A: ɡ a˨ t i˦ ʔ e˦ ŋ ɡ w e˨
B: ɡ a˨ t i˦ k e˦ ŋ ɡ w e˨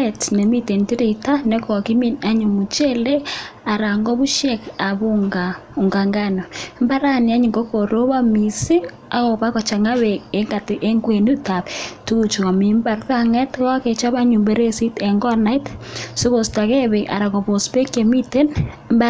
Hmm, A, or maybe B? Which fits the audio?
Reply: A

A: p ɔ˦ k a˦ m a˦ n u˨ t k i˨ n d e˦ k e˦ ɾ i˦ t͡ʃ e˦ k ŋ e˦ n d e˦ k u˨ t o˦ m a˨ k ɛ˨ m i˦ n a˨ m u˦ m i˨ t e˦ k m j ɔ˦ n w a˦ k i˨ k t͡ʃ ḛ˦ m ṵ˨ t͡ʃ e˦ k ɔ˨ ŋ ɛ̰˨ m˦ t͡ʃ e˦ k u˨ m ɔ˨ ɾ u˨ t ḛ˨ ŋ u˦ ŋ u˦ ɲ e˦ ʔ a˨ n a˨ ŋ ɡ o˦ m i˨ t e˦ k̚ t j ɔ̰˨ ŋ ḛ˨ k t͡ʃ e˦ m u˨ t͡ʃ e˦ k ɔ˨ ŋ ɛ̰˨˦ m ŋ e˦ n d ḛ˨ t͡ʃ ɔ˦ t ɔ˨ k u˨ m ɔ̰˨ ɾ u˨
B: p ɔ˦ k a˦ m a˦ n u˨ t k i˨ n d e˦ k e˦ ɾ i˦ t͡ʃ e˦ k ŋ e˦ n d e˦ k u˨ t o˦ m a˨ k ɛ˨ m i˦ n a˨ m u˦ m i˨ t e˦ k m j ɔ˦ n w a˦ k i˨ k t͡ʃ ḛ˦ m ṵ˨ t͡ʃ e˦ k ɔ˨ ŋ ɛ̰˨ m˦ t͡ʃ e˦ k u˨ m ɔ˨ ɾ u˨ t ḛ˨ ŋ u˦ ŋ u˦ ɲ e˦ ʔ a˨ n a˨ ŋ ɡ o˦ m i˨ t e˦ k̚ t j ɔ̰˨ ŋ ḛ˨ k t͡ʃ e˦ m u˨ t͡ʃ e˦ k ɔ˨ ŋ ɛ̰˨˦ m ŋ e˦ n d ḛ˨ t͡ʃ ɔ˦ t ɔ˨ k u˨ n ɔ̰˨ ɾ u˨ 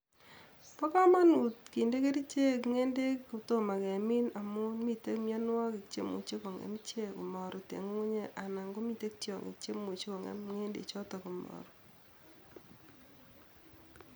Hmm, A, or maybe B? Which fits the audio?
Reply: A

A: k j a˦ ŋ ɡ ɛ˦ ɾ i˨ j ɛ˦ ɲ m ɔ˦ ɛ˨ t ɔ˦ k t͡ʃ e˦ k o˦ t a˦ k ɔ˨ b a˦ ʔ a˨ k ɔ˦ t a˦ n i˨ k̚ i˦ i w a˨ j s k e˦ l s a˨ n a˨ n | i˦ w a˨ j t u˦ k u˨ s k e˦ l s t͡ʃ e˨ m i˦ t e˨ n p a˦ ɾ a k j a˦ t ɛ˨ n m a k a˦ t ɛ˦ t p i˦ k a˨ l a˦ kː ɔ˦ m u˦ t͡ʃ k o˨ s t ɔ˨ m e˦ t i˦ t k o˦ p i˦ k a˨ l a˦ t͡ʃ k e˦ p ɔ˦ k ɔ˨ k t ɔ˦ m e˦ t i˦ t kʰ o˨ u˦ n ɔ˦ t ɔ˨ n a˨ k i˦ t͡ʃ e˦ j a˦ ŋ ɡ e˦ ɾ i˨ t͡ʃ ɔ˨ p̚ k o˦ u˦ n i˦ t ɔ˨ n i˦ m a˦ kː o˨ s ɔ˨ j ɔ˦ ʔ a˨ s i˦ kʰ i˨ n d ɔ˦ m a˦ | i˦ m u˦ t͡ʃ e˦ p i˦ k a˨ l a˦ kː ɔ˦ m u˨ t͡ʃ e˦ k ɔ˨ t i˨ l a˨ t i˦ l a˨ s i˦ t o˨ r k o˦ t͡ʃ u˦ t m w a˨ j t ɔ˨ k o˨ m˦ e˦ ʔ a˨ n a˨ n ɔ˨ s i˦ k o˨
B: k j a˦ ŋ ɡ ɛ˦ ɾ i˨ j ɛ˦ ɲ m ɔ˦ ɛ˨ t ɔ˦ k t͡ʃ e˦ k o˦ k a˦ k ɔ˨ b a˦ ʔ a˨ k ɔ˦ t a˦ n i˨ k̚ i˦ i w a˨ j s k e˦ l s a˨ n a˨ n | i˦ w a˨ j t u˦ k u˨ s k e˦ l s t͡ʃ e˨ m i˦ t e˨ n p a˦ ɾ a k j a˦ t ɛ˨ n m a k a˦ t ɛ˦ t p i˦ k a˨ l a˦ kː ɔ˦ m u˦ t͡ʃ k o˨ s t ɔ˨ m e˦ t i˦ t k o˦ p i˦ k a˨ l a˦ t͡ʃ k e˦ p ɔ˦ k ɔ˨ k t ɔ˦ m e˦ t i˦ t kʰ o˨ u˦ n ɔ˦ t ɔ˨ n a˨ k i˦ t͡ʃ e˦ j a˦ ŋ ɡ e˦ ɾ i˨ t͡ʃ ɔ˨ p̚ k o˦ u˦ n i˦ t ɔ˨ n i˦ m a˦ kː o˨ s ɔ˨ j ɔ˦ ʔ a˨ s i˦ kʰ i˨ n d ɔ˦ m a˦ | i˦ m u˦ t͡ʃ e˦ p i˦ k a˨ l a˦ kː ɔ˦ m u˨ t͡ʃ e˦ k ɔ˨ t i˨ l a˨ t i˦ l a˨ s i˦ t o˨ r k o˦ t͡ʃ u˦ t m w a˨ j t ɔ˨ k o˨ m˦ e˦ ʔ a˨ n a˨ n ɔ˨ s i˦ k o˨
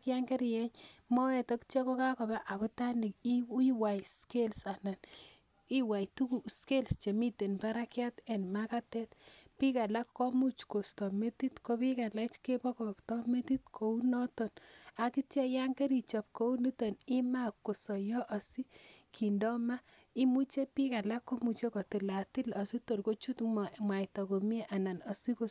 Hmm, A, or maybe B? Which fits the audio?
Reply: B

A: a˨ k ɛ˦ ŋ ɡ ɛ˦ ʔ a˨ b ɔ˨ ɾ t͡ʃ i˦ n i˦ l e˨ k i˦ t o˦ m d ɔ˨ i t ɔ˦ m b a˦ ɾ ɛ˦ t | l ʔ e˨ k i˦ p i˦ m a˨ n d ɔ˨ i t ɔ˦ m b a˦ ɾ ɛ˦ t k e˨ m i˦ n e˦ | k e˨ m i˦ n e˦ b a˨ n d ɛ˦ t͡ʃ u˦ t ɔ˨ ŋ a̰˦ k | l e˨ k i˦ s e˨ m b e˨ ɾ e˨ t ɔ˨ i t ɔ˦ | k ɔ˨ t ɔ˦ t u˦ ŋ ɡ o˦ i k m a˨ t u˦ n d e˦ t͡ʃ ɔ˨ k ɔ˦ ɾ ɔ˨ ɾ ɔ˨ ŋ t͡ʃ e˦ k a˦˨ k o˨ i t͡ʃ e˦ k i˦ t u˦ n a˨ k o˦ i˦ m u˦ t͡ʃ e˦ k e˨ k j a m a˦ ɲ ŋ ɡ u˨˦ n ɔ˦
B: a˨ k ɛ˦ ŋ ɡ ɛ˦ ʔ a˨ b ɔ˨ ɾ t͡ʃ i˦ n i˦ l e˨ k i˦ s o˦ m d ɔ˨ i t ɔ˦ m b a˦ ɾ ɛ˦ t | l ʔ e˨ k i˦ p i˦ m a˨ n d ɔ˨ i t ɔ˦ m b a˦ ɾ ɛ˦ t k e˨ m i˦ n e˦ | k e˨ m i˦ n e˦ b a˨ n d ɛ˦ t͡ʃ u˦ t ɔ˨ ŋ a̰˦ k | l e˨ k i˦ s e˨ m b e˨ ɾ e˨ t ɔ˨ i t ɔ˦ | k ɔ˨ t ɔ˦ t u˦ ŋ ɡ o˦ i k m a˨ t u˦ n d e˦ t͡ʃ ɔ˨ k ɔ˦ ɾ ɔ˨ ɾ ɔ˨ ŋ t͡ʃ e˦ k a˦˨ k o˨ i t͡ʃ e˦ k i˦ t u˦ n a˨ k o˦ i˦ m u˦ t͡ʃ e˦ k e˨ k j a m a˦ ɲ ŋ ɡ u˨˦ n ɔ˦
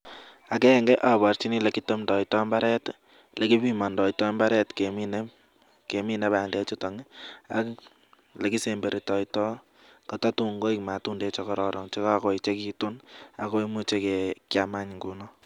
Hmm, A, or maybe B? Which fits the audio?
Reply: A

